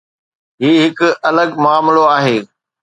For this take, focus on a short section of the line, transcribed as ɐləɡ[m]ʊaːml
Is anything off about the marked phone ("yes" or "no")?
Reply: no